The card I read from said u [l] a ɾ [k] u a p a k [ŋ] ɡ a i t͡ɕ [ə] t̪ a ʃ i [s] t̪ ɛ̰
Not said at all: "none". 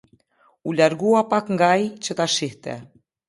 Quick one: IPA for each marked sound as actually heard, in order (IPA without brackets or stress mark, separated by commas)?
l, ɡ, ŋ, ə, h